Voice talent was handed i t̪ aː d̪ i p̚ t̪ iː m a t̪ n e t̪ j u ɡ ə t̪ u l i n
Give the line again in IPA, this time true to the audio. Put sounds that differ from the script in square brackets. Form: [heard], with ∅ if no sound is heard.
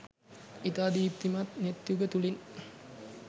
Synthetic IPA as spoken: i t̪ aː d̪ i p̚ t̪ [i] m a t̪ n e t̪ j u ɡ ə t̪ u l i n